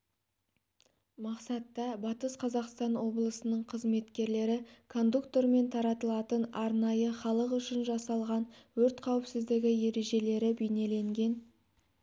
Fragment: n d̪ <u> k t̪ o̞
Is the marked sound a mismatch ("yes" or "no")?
no